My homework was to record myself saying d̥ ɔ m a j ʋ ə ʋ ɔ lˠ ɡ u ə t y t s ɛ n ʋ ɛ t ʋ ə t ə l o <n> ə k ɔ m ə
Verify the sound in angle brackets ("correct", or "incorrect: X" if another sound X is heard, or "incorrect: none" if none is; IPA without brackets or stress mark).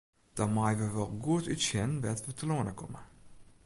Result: correct